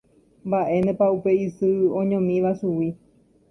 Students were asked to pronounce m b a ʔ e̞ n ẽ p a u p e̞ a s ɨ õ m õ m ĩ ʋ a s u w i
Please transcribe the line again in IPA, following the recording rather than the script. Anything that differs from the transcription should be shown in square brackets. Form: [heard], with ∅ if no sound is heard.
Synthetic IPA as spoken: m b a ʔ e̞ n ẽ p a u p e̞ [i] s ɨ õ [ɲ] õ m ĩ ʋ a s u w i